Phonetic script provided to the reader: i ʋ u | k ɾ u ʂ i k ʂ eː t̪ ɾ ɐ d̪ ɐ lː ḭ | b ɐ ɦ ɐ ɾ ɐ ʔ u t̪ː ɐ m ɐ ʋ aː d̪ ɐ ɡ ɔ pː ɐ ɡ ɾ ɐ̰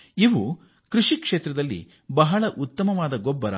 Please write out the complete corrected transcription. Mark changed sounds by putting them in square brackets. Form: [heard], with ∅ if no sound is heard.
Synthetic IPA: i ʋ u | k ɾ u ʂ i k ʂ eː t̪ ɾ ɐ d̪ ɐ lː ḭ | b ɐ ɦ ɐ [ɭ] ɐ ʔ u t̪ː ɐ m ɐ ʋ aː d̪ ɐ ɡ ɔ [bː] ɐ [∅] ɾ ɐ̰

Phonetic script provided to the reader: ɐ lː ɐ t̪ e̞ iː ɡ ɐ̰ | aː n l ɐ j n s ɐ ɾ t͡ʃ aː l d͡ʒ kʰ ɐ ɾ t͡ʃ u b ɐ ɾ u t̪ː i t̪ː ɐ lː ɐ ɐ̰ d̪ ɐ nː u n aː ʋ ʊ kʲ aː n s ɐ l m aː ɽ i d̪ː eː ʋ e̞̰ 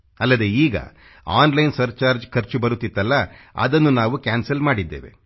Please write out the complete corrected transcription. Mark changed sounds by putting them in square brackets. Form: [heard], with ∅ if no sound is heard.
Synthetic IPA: ɐ lː ɐ [d̪] e̞ iː ɡ ɐ̰ | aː n l ɐ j n s ɐ ɾ t͡ʃ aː [ɾ] d͡ʒ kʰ ɐ ɾ t͡ʃ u b ɐ ɾ u t̪ː i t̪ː ɐ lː ɐ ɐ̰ d̪ ɐ nː u n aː ʋ [u] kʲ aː n s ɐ l m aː ɽ i d̪ː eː ʋ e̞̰

